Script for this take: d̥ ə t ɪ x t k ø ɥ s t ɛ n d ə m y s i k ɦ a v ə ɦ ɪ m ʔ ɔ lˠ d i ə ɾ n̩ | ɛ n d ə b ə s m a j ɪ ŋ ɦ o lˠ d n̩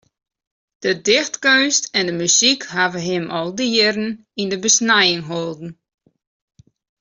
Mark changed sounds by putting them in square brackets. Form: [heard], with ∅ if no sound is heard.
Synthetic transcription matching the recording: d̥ ə [d] ɪ x t k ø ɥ s t ɛ n d ə m y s i k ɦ a v ə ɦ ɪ m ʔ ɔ lˠ d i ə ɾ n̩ | [i] n d ə b ə s [n] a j ɪ ŋ ɦ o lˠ d n̩